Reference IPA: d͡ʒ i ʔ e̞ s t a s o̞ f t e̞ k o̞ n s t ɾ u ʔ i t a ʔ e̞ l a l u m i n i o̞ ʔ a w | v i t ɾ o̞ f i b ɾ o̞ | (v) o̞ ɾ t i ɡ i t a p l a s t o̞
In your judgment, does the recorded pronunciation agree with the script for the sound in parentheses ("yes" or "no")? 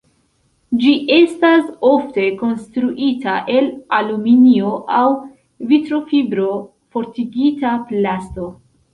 no